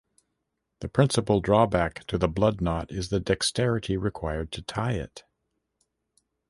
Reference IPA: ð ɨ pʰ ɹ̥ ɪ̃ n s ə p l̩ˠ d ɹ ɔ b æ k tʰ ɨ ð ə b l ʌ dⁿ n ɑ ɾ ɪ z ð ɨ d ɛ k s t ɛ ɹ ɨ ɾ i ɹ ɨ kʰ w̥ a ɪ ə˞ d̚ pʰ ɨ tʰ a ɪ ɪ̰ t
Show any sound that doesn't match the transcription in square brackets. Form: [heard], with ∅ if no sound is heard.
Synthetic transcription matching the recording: ð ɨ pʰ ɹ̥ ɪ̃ n s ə p l̩ˠ d ɹ ɔ b æ k tʰ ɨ ð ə b l ʌ dⁿ n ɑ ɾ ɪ z ð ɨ d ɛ k s t ɛ ɹ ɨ ɾ i ɹ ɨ kʰ w̥ a ɪ ə˞ d̚ [tʰ] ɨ tʰ a ɪ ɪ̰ t